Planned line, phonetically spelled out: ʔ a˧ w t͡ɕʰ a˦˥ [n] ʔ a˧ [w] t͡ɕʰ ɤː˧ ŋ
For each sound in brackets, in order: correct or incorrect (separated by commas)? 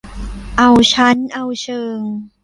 correct, correct